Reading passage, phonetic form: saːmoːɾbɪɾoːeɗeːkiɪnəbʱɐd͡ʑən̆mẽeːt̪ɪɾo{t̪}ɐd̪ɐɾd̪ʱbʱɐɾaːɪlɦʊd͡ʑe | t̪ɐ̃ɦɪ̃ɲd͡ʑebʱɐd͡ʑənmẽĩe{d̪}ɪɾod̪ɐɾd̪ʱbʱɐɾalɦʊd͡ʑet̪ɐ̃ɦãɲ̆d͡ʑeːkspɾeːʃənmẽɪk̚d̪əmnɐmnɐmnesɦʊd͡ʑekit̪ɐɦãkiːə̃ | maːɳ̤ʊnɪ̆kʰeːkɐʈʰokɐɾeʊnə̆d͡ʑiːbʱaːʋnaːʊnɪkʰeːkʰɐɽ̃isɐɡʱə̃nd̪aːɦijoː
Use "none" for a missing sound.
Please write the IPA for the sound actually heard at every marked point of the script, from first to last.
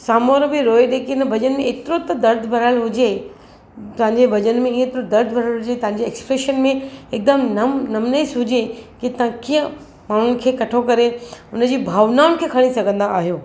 t̪, t̪

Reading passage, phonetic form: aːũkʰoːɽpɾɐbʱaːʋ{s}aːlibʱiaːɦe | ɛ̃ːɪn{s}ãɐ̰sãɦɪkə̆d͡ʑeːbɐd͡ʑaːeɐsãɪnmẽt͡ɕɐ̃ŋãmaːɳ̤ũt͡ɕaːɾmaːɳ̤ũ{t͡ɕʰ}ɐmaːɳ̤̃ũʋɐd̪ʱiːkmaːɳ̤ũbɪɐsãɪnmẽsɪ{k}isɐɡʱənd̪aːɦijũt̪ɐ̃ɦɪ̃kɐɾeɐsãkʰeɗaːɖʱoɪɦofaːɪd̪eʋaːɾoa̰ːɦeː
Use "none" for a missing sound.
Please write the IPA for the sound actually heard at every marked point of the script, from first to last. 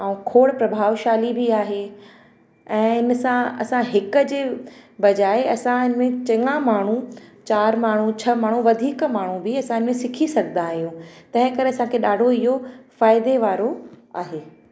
ʃ, s, t͡ɕʰ, kʰ

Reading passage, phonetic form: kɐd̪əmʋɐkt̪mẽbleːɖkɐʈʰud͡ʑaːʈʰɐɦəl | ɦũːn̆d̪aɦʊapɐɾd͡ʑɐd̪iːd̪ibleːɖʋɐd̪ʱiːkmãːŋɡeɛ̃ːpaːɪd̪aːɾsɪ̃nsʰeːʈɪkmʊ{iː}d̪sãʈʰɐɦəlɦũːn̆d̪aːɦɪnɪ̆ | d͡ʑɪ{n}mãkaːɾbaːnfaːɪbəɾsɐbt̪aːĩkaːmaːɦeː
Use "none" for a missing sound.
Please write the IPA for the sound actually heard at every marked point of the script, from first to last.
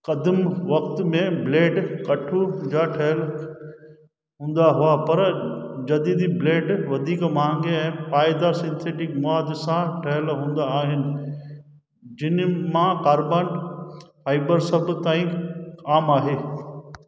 aː, n

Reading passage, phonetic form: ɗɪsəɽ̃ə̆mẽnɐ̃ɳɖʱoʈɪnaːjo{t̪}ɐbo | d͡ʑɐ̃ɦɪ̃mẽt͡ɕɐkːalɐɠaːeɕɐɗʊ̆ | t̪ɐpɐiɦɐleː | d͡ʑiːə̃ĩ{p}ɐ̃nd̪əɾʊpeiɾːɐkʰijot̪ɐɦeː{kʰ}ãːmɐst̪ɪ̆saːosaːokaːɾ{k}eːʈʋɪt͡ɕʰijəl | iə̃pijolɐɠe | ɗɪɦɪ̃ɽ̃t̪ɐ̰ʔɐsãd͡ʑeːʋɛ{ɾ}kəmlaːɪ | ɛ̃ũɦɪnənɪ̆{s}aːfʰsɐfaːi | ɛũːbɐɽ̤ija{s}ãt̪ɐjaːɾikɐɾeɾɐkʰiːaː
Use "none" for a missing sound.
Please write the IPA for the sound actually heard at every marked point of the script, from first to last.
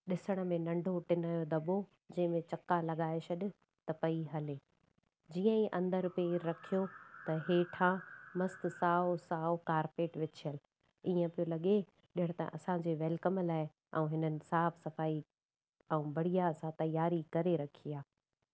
d̪, ʔ, ʈʰ, p, l, s, s

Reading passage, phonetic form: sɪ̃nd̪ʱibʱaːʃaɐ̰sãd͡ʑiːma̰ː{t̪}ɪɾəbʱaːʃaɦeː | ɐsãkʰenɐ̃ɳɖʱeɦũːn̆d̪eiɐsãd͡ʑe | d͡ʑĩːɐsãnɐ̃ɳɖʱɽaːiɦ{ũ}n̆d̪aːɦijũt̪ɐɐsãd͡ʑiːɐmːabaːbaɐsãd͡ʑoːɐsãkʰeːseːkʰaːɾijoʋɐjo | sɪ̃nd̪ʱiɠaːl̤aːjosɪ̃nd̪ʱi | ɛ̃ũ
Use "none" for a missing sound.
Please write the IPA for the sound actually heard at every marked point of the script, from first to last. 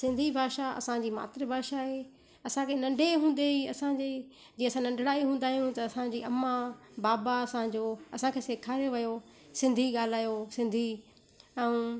t̪, ũː

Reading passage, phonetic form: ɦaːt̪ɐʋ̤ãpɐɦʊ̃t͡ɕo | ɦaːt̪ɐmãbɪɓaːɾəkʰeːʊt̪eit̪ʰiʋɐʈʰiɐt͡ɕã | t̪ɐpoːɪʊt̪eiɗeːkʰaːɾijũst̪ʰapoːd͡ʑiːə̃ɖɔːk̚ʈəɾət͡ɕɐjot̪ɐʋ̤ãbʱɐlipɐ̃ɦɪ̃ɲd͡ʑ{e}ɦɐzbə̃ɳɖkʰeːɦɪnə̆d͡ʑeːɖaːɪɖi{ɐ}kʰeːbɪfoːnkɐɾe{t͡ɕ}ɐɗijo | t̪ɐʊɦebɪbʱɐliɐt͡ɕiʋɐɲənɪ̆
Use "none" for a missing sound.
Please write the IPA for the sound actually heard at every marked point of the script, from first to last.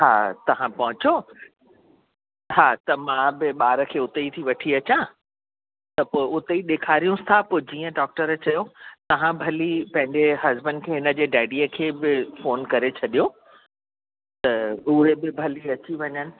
e, ə, t͡ɕʰ

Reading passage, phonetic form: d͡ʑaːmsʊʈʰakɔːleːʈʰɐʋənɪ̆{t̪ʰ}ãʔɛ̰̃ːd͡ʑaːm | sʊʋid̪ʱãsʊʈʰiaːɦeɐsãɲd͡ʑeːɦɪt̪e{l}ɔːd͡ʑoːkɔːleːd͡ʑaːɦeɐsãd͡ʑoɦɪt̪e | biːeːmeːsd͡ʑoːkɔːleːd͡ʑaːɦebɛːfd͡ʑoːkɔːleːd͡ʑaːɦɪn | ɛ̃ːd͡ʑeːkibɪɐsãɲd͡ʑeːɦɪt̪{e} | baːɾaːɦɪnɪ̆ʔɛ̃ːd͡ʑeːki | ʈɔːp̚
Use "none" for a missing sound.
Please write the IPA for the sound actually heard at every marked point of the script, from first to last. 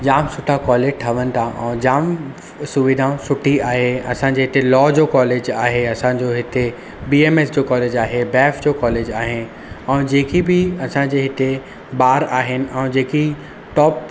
t̪ʰ, l, e

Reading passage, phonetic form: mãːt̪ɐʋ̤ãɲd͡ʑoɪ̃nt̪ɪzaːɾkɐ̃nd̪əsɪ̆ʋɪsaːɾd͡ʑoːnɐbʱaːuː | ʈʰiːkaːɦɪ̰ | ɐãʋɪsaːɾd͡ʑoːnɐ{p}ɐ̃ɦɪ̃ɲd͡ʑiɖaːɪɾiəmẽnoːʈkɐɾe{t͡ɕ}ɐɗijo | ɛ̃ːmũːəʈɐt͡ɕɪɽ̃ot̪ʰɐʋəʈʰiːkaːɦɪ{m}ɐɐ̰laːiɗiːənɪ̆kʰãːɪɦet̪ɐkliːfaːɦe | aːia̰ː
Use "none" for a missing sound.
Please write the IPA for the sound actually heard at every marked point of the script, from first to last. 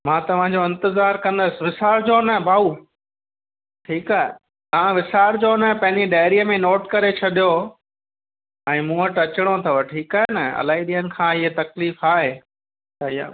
p, t͡ɕʰ, n

